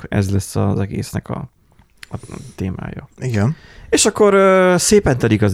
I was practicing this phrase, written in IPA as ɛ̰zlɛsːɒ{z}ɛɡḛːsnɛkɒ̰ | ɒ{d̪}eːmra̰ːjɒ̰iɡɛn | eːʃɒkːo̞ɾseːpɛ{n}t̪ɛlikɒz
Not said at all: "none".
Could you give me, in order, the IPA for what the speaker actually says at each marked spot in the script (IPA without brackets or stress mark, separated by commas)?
z, t̪, n